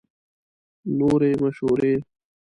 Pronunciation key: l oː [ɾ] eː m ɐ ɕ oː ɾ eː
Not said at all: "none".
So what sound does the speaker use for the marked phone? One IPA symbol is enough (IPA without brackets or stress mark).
ɾ